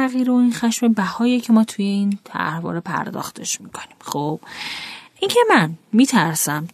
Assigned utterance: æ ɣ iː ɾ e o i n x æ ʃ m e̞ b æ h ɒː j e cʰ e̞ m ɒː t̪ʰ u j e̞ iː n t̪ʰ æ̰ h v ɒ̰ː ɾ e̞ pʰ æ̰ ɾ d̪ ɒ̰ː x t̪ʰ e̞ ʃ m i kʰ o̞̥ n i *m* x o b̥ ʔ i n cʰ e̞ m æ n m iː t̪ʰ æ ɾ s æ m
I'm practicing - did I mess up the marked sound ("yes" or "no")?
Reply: no